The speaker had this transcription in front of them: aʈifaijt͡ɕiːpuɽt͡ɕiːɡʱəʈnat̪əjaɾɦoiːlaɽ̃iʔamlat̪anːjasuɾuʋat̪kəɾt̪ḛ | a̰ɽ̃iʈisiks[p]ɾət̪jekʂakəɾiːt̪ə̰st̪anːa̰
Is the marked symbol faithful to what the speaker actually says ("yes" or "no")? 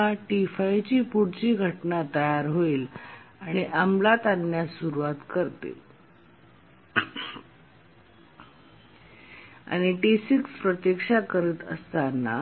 yes